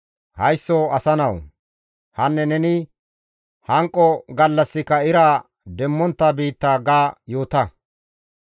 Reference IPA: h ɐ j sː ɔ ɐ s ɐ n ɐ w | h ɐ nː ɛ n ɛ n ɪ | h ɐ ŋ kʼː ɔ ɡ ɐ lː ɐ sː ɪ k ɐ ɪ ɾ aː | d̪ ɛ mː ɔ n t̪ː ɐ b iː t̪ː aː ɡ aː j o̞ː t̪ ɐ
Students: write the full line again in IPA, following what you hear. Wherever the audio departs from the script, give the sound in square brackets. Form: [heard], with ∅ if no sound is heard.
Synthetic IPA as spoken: h ɐ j sː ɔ ɐ s ɐ n ɐ w | h ɐ nː ɛ n ɛ n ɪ | h ɐ ŋ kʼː ɔ ɡ ɐ lː ɐ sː ɪ k ɐ ɪ ɾ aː | d̪ ɛ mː ɔ n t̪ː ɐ b iː t̪ː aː ɡ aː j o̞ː t̪ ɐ